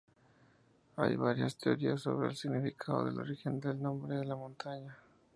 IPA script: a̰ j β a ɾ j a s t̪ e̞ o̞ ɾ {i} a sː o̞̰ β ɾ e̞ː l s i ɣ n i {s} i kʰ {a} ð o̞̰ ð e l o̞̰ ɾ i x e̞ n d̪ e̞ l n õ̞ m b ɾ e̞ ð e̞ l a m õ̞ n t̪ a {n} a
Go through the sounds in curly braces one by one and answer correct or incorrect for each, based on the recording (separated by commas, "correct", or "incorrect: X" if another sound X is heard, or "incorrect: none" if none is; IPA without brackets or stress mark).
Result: correct, incorrect: f, correct, incorrect: ɲ